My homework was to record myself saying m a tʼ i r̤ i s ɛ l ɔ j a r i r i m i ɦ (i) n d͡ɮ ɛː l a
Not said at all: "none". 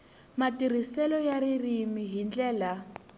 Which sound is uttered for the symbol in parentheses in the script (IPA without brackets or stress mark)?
i